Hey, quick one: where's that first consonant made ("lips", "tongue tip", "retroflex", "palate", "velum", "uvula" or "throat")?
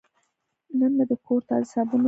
tongue tip